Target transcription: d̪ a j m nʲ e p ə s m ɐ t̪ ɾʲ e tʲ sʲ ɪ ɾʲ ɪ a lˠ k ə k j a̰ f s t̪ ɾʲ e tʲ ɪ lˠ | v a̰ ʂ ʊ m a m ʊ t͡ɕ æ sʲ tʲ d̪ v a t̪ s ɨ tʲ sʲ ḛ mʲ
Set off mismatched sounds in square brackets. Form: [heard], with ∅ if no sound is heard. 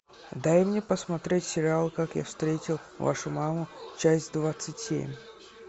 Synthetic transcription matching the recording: d̪ a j m nʲ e p ə s m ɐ t̪ ɾʲ e tʲ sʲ ɪ ɾʲ ɪ a lˠ k [a] k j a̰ f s t̪ ɾʲ e tʲ ɪ lˠ | v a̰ ʂ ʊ m a m ʊ t͡ɕ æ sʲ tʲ d̪ v a t̪ s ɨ tʲ sʲ ḛ mʲ